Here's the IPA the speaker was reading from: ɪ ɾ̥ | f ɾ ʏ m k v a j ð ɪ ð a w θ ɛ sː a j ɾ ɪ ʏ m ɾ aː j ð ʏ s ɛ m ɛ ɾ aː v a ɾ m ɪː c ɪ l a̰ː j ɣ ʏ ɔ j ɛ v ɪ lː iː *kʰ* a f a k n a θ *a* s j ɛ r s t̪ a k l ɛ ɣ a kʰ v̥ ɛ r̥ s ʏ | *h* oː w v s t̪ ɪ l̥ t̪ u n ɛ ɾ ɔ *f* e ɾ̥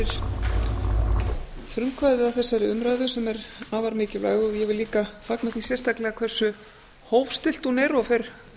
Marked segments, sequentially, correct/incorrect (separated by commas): incorrect, incorrect, correct, correct